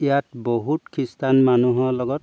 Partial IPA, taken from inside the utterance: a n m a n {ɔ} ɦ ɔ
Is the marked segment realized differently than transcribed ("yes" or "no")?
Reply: yes